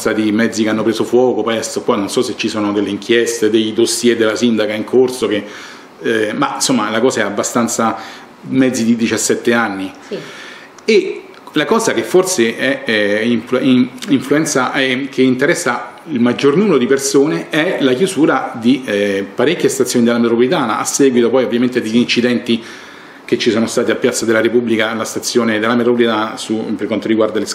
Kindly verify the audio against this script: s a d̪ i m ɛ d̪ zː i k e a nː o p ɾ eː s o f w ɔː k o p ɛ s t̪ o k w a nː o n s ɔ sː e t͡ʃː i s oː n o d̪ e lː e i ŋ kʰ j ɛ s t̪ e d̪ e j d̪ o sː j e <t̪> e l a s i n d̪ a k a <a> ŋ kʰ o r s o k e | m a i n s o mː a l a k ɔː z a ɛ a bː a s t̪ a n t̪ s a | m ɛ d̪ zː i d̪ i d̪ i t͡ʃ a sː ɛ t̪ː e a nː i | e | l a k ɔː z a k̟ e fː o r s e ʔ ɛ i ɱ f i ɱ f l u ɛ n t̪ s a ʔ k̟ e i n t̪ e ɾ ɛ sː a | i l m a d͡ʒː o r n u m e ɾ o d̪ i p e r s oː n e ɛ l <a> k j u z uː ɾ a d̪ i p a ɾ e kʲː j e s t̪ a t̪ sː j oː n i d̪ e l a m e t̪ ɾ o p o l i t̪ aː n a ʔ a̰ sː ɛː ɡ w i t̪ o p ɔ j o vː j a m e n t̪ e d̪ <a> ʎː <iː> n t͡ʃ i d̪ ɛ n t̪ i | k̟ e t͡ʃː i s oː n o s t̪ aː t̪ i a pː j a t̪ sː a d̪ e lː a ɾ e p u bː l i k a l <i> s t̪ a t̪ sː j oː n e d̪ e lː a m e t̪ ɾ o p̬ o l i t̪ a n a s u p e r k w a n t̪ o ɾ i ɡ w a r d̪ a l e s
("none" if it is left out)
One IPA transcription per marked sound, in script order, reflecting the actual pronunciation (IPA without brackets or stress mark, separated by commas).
d̪, i, a, e, i, a